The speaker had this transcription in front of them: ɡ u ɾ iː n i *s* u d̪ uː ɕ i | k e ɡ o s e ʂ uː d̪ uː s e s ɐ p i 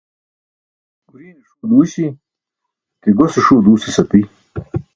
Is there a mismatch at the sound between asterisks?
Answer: yes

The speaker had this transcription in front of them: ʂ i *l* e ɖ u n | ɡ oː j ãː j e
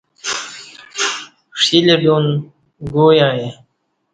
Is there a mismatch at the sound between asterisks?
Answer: no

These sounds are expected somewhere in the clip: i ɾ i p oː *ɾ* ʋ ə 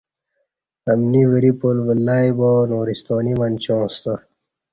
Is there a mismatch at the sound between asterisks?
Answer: yes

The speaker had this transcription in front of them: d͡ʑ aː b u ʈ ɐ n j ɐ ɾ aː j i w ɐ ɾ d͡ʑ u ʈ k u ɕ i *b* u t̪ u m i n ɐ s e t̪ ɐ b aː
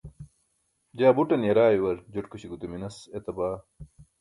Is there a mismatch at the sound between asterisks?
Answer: yes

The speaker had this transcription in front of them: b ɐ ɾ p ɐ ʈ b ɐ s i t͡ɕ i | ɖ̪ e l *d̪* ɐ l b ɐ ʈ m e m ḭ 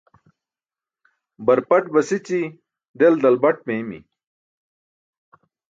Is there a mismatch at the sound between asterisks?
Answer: no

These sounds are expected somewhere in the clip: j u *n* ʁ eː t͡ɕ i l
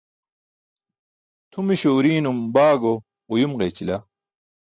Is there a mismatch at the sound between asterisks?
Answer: yes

